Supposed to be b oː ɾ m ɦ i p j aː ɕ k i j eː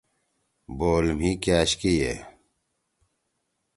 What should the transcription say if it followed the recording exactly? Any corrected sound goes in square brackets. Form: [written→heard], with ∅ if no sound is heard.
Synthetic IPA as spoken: b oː [ɾ→l] m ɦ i [p→k] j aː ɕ k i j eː